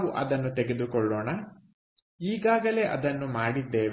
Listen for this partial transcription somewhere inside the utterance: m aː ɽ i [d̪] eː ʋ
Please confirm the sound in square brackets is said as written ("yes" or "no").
no